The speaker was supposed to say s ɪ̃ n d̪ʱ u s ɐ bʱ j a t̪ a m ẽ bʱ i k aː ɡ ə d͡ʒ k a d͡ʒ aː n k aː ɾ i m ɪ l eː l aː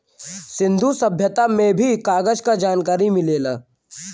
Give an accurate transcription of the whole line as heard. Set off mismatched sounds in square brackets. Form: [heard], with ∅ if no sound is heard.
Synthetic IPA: s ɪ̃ n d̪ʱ u s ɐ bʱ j [ə] t̪ a m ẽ bʱ i k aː ɡ ə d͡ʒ k a d͡ʒ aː n k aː ɾ i m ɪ l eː l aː